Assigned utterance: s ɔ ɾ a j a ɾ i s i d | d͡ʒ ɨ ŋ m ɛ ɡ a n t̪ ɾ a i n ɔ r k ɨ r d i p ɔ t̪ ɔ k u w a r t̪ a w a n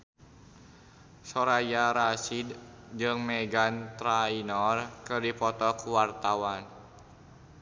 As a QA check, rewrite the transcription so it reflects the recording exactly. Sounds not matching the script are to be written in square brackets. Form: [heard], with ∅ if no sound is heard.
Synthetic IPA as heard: s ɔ ɾ a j a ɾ [a] s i d | d͡ʒ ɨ ŋ m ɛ ɡ a n t̪ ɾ a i n ɔ r k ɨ r d i p ɔ t̪ ɔ k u w a r t̪ a w a n